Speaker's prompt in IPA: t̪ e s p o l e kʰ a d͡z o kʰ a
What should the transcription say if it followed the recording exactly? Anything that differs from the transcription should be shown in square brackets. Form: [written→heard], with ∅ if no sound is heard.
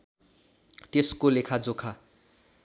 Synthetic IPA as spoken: t̪ e s [p→k] o l e kʰ a d͡z o kʰ a